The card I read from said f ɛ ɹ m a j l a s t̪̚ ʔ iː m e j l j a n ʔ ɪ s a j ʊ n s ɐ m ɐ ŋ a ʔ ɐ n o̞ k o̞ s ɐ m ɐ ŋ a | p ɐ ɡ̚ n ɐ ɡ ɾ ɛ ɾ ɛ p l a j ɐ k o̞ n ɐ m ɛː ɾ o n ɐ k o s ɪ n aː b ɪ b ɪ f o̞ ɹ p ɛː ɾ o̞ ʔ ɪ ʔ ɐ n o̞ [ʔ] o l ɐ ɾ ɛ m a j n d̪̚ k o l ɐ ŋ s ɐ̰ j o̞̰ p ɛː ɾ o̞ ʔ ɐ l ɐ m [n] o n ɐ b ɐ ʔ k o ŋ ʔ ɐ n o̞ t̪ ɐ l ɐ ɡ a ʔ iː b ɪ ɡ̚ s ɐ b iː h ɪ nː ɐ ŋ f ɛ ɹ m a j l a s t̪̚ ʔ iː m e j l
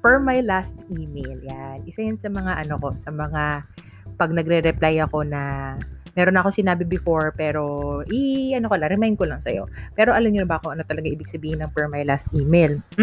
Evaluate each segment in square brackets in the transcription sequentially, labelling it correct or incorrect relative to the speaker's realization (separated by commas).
incorrect, incorrect